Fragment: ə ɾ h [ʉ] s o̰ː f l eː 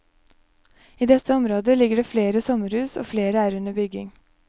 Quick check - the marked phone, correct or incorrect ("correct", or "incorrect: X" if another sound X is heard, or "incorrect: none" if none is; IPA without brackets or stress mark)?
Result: incorrect: ʉː